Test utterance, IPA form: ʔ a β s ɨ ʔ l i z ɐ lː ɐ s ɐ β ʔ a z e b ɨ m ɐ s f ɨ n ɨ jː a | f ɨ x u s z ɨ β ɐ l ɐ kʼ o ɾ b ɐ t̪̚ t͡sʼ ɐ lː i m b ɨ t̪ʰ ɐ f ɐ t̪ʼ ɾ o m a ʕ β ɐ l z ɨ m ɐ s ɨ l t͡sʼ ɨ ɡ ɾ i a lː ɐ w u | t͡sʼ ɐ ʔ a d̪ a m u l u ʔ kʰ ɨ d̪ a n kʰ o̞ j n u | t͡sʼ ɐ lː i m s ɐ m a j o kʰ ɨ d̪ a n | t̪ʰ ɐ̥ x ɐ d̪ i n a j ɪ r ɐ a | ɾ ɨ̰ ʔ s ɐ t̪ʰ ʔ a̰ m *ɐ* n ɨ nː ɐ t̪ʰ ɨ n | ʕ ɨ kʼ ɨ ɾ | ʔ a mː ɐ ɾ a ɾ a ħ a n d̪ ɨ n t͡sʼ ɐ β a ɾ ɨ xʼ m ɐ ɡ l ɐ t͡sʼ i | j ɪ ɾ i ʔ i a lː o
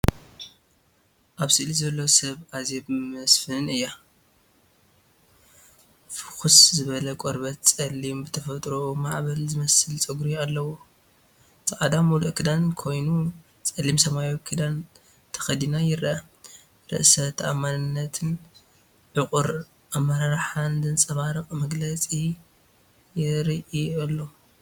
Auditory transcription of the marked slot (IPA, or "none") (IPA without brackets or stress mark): a